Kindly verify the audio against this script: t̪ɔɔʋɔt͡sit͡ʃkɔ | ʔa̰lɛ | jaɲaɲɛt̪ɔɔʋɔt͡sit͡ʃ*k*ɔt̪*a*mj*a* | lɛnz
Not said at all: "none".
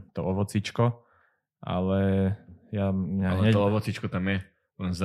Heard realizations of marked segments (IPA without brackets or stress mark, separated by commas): k, a, ɛ